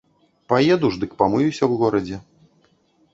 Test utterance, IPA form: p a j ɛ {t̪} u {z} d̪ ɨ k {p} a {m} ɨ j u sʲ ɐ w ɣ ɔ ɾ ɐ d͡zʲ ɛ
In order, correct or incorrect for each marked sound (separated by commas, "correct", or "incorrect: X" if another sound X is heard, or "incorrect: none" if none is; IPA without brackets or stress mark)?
incorrect: d̪, incorrect: ʐ, correct, correct